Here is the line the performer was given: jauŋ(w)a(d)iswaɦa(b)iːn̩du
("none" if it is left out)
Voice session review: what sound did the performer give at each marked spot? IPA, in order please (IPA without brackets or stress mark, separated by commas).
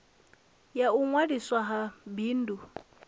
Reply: w, d, b